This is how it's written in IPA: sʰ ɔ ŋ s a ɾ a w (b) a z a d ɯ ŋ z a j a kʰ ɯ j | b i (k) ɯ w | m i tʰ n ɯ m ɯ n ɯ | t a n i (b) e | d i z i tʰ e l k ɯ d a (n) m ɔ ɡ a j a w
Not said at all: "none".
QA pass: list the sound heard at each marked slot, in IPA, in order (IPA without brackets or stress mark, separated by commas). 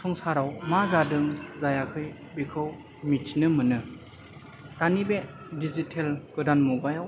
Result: m, kʰ, b, n